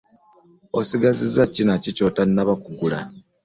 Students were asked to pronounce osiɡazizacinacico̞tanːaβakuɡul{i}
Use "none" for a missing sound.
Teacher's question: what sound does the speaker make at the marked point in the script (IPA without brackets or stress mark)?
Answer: a